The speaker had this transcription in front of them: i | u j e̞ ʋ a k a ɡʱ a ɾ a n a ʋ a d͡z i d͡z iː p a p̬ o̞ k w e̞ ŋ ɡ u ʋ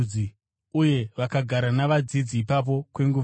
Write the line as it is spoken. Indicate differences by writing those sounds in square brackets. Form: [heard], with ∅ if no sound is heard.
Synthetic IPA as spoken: i | u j e̞ ʋ a k a ɡʱ a ɾ a n a ʋ a d͡z i d͡z iː p a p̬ o̞ k w e̞ ŋ ɡ u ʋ